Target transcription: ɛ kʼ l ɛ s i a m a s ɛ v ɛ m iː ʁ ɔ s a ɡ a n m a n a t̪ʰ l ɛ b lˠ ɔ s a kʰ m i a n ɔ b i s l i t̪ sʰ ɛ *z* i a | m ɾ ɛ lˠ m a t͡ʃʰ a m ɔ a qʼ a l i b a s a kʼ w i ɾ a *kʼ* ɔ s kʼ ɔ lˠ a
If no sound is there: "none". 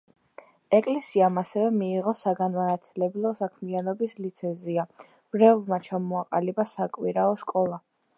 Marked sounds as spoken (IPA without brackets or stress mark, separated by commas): z, none